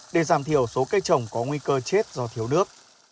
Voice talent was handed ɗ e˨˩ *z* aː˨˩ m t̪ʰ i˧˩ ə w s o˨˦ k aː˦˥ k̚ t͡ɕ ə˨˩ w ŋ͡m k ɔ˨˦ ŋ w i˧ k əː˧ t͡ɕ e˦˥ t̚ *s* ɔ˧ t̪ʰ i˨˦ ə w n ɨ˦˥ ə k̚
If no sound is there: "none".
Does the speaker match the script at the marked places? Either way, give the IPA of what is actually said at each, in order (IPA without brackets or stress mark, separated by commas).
z, z